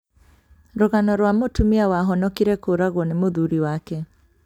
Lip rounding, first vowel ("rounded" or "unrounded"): rounded